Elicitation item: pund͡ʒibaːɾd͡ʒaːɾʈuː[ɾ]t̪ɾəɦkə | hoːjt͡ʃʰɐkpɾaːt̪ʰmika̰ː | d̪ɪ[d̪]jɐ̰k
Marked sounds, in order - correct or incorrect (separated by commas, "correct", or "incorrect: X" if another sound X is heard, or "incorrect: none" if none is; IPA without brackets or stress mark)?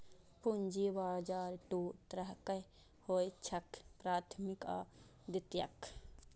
incorrect: none, incorrect: t̪